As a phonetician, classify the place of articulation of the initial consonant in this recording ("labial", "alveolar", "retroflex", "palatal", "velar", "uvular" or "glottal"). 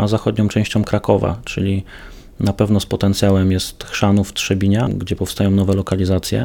alveolar